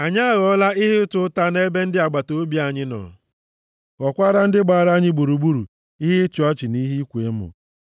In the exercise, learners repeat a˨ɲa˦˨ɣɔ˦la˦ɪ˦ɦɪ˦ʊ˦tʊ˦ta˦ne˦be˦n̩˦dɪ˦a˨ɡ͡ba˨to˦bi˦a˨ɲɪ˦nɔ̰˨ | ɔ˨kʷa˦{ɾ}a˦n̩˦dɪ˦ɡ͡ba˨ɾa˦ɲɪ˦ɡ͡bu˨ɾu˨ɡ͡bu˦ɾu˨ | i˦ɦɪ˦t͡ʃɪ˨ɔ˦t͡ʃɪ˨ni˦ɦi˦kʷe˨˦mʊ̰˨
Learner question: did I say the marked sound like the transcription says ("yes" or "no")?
yes